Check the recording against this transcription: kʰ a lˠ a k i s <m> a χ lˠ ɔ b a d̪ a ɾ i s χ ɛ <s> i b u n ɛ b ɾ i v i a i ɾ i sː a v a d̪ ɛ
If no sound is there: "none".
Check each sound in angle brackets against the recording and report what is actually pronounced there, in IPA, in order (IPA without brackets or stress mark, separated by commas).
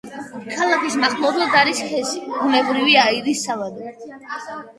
m, s